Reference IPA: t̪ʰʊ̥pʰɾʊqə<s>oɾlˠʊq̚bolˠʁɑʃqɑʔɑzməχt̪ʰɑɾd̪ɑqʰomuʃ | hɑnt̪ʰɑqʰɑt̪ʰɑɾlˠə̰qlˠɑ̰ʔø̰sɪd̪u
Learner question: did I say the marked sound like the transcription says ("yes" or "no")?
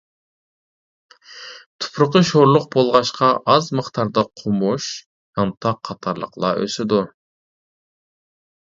no